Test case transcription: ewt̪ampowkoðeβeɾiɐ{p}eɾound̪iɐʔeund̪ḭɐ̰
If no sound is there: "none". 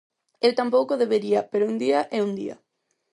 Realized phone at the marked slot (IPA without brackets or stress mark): p